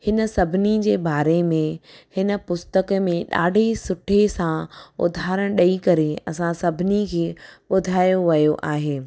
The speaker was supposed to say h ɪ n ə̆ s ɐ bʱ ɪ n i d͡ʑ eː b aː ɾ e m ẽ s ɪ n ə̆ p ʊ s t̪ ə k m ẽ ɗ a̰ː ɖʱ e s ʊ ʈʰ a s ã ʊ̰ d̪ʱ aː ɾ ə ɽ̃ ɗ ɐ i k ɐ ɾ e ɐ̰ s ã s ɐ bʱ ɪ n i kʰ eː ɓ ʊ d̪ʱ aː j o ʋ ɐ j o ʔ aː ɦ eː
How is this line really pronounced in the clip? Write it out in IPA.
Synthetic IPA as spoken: h ɪ n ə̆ s ɐ bʱ ɪ n i d͡ʑ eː b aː ɾ e m ẽ h ɪ n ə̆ p ʊ s t̪ ə k m ẽ ɗ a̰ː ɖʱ e s ʊ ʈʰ e s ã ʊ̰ d̪ʱ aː ɾ ə ɽ̃ ɗ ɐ i k ɐ ɾ e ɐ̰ s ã s ɐ bʱ ɪ n i kʰ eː ɓ ʊ d̪ʱ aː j o ʋ ɐ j o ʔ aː ɦ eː